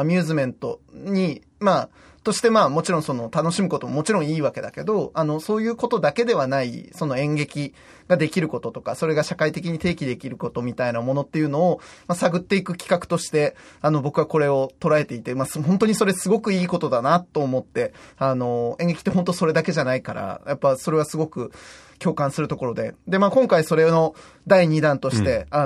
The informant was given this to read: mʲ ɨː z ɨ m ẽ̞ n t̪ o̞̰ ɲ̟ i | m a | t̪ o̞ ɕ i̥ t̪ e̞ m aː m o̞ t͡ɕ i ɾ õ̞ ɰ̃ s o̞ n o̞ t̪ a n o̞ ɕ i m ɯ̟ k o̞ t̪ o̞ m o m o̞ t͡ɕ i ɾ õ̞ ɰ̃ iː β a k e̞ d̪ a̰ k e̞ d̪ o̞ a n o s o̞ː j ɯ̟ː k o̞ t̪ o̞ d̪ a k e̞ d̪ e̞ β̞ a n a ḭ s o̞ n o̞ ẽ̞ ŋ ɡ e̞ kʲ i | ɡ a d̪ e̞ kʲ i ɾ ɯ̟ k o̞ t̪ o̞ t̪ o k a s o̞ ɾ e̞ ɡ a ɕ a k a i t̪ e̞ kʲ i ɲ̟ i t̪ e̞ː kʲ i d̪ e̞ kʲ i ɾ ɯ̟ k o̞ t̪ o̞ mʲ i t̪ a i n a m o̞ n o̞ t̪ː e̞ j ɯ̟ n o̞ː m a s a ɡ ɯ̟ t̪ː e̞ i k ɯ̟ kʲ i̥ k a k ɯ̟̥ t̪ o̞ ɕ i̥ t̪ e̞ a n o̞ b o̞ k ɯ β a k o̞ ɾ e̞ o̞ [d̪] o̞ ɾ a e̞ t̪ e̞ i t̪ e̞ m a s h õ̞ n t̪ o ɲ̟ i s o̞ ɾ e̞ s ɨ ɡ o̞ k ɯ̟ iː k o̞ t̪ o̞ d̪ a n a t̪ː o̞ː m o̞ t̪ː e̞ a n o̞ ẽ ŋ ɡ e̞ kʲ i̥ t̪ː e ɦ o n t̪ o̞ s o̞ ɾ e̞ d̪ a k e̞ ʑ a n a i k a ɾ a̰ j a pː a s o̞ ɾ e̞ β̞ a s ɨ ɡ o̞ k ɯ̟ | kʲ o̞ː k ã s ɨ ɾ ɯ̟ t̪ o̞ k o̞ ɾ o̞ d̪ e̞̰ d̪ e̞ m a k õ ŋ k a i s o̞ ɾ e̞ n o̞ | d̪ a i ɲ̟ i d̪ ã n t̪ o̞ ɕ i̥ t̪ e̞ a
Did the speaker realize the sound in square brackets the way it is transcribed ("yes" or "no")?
no